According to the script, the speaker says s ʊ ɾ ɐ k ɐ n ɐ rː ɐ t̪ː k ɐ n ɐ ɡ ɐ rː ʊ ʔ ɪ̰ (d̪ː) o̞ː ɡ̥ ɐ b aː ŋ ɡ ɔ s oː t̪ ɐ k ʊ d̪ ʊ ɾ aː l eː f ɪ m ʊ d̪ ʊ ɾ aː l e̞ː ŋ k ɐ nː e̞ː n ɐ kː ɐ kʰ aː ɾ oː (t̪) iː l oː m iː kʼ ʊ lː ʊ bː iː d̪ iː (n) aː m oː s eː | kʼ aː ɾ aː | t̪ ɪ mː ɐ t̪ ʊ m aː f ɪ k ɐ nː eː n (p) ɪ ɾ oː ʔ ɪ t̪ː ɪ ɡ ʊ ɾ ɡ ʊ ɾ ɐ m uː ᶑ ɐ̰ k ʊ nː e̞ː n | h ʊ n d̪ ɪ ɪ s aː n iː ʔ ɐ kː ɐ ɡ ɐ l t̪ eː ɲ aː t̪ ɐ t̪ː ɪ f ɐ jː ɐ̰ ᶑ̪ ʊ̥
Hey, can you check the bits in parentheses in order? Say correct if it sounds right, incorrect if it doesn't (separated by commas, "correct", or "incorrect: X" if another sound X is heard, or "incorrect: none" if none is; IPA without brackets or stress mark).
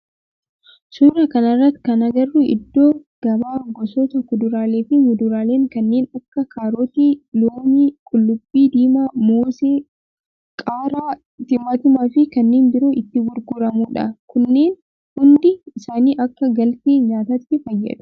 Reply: correct, correct, incorrect: m, incorrect: b